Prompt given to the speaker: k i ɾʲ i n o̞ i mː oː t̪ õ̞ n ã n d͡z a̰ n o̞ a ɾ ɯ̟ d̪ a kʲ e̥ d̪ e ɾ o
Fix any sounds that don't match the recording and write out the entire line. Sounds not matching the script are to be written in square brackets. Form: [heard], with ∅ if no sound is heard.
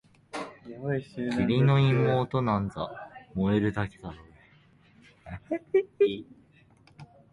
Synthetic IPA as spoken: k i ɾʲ i n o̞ i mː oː t̪ [o̞] n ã n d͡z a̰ [m] o̞ [e] ɾ ɯ̟ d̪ a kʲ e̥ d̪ [a] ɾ o

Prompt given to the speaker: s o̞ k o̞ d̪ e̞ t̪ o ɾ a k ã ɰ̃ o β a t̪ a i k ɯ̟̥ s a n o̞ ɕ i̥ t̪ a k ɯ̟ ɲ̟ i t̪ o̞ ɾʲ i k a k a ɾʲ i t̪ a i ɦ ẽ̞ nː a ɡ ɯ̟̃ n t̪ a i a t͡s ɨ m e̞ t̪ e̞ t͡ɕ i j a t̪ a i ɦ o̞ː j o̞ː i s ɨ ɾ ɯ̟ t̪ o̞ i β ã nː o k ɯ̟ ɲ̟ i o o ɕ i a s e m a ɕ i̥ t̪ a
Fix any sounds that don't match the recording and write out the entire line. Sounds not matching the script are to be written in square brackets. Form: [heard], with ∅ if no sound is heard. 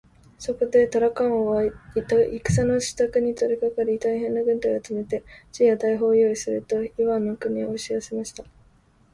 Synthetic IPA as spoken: s o̞ k o̞ d̪ e̞ t̪ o ɾ a k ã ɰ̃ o β a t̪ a i k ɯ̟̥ s a n o̞ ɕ i̥ t̪ a k ɯ̟ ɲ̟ i t̪ o̞ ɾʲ i k a k a ɾʲ i t̪ a i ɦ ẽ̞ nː a ɡ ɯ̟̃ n t̪ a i a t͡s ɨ m e̞ t̪ e̞ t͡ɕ i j a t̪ a i ɦ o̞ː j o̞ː i s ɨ ɾ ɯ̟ t̪ o̞ i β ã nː o k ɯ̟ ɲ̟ i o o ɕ i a s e m a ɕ i̥ t̪ a

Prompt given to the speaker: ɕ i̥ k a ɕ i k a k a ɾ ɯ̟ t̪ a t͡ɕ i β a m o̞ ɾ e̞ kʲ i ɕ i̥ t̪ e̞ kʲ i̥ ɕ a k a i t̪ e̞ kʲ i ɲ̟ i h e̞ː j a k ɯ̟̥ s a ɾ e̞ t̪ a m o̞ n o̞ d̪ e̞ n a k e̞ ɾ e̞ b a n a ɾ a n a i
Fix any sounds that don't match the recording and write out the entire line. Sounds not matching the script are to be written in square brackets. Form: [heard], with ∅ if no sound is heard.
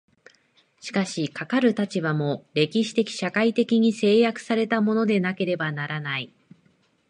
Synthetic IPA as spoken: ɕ i̥ k a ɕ i k a k a ɾ ɯ̟ t̪ a t͡ɕ i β a m o̞ ɾ e̞ kʲ i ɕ i̥ t̪ e̞ kʲ i̥ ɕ a k a i t̪ e̞ kʲ i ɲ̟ i [s] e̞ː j a k ɯ̟̥ s a ɾ e̞ t̪ a m o̞ n o̞ d̪ e̞ n a k e̞ ɾ e̞ b a n a ɾ a n a i

